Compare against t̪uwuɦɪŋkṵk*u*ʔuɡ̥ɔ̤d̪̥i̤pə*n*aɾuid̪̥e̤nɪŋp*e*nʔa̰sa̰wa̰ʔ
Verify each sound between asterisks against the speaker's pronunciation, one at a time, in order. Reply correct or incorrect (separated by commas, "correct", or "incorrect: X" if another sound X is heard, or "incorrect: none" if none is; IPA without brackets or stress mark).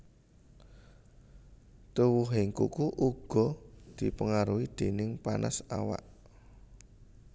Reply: correct, incorrect: ŋ, incorrect: a